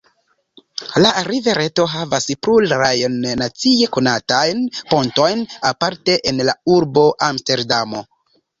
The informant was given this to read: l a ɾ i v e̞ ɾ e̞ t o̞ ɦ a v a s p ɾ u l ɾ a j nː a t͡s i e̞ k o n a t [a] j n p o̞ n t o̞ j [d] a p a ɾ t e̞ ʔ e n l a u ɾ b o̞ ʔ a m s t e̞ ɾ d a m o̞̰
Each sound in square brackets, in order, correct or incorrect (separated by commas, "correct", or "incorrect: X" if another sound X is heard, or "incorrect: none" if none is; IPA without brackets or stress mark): correct, incorrect: n